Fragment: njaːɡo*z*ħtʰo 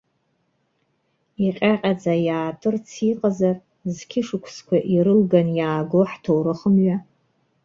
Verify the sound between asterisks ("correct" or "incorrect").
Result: incorrect